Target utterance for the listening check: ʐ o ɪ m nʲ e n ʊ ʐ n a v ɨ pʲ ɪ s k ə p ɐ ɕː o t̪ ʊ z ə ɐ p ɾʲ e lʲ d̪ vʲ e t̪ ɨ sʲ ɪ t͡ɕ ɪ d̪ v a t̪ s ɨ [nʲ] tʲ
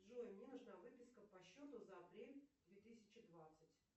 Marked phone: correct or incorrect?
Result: incorrect